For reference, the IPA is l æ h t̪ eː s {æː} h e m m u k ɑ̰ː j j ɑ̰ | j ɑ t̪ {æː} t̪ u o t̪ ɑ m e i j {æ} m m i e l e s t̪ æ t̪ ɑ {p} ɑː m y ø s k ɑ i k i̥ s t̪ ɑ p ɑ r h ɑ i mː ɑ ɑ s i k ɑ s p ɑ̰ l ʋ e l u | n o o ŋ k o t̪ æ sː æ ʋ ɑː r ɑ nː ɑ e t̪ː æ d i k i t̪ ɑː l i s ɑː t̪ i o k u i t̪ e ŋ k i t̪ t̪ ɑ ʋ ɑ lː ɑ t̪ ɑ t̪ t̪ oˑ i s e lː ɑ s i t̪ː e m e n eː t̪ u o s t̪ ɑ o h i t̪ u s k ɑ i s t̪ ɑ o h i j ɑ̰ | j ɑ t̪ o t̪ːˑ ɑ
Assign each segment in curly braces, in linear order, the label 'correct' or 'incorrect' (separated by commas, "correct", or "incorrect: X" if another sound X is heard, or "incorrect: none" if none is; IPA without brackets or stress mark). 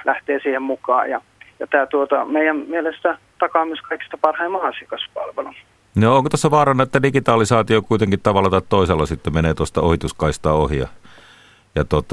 incorrect: iː, correct, correct, incorrect: k